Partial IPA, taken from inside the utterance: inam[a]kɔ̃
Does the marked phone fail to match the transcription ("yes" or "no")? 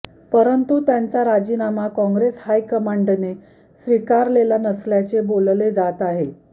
no